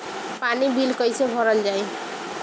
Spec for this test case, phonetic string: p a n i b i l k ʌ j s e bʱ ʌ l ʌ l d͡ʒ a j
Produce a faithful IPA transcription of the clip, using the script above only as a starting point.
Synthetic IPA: p a n i b i l k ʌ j s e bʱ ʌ ɾ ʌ l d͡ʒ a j

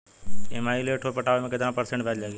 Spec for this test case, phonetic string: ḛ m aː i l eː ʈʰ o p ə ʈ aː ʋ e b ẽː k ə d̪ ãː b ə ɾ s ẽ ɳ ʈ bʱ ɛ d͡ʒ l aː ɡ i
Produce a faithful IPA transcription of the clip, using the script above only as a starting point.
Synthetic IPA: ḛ m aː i l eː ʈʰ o p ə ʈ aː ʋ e m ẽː k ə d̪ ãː p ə ɾ s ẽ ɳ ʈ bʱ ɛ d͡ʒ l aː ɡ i

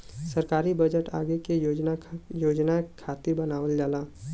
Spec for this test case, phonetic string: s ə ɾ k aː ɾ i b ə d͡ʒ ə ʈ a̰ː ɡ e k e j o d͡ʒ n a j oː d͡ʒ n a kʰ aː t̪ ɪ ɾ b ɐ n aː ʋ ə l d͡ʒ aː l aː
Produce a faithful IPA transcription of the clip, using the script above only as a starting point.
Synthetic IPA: s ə ɾ k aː ɾ i b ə d͡ʒ ə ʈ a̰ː ɡ e k e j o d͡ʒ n a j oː d͡ʒ n a kʰ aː t̪ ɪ ɾ b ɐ n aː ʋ ə l d͡ʒ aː l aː

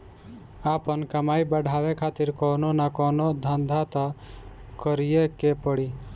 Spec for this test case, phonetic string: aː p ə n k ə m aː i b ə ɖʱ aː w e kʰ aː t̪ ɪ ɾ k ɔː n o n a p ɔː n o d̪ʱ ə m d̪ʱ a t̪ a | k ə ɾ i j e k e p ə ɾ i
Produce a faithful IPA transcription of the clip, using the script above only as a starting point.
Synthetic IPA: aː p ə n k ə m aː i b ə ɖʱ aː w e kʰ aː t̪ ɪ ɾ k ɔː n o n a k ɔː n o d̪ʱ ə n d̪ʱ a t̪ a | k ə ɾ i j e k e p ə ɽ i

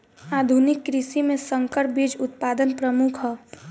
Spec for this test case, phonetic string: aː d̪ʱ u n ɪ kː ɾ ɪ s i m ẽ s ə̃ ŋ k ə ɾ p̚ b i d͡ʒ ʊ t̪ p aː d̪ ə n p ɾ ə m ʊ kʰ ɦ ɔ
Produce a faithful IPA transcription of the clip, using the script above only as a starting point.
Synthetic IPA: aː d̪ʱ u n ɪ kː ɾ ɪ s i m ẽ s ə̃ ŋ k ə ɾ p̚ b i d͡ʒ ʊ t̪ p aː d̪ ə n p ɾ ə m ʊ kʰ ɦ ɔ

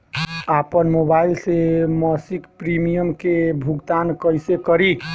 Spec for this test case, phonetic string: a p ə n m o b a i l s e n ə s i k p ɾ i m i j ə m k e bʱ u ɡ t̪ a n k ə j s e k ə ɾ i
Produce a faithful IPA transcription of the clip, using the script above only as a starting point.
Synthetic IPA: a p ə n m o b a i l s e m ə s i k p ɾ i m i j ə m k e bʱ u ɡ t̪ a n k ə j s e k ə ɾ i

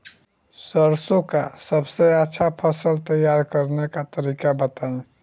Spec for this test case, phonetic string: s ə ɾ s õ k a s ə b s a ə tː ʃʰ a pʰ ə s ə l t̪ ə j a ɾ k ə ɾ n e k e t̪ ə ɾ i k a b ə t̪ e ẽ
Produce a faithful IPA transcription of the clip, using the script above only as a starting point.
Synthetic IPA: s ə ɾ s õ k a s ə b s e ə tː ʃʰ a pʰ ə s ə l t̪ ə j a ɾ k ə ɾ n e k a t̪ ə ɾ i k a b ə t̪ a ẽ

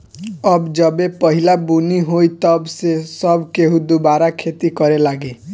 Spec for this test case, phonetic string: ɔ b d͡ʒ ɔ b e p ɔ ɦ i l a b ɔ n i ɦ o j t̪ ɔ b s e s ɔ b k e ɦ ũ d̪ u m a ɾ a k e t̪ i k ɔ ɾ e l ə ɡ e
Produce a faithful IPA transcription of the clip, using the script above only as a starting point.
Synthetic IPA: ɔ b d͡ʒ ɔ b e p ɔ ɦ i l a b u n i ɦ o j t̪ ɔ b s e s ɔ b k e ɦ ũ d̪ u b a ɾ a kʰ e t̪ i k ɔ ɾ e l a ɡ e

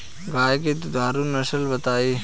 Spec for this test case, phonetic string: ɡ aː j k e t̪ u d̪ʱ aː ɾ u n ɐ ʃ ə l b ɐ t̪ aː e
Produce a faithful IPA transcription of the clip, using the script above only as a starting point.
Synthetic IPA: ɡ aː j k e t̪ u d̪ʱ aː ɾ u n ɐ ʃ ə l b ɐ t̪ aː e

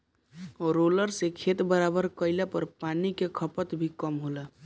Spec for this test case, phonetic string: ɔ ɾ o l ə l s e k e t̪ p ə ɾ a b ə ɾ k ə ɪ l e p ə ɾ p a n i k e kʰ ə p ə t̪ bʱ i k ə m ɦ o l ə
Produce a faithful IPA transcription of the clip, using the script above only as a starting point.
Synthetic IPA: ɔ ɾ o l ə ɾ s e kʰ e t̪ b ə ɾ a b ə ɾ k ə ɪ l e p ə ɾ p a n i k e kʰ ə p ə t̪ bʱ i k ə m ɦ o l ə

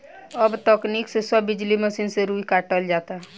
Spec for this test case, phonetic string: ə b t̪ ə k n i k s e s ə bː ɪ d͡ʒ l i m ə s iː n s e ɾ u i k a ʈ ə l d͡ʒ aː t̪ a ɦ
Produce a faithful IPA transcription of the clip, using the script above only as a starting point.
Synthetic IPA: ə b t̪ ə k n i k s e s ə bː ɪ d͡ʒ l i m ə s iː n s e ɾ u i k a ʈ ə l d͡ʒ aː t̪ a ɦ

